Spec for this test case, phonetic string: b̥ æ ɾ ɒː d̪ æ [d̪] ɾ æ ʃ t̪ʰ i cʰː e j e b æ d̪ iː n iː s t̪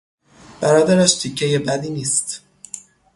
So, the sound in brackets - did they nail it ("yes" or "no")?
no